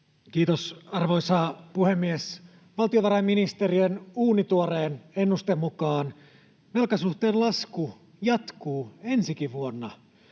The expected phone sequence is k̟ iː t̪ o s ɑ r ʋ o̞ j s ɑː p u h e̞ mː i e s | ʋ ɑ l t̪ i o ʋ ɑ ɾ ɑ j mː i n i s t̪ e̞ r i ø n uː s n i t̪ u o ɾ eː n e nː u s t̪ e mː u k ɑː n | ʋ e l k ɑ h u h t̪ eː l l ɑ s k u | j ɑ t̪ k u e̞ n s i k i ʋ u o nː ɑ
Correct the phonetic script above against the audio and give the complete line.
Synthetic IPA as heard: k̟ iː t̪ o s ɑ r ʋ o̞ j s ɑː p u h e̞ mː i e s | ʋ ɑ l t̪ i o ʋ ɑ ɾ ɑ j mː i n i s t̪ e̞ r i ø n uː n i t̪ u o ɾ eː n e nː u s t̪ e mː u k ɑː n | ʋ e l k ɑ s u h t̪ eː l l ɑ s k u | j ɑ t̪ k uː e̞ n s i k i ʋ u o nː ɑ